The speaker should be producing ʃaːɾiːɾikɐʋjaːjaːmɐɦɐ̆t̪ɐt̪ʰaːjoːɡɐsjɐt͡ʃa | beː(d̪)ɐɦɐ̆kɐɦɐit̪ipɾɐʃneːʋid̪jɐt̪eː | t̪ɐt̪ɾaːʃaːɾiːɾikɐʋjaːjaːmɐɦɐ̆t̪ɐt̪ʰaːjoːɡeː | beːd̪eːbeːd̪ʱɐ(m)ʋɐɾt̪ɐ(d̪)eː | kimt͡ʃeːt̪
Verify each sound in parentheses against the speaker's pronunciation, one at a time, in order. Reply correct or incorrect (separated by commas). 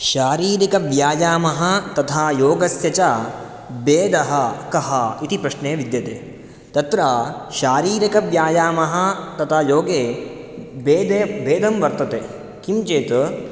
correct, correct, incorrect